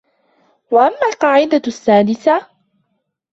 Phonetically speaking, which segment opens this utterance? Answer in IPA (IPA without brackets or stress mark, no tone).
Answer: w